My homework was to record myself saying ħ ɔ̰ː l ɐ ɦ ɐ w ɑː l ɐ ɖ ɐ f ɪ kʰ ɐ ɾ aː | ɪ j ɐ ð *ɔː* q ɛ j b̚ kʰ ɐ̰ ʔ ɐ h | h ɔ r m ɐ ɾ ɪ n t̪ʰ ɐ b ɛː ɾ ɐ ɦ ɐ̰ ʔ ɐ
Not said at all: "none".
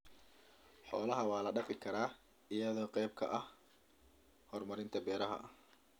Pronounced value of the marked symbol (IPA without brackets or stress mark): ɔː